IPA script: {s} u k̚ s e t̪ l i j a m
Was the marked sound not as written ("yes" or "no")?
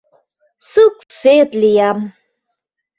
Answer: no